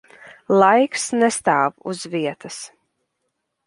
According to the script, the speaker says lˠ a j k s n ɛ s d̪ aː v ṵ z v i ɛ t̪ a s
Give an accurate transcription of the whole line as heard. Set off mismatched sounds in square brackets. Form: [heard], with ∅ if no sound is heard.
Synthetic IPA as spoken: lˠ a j k s n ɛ s [t̪] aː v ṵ z v i ɛ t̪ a s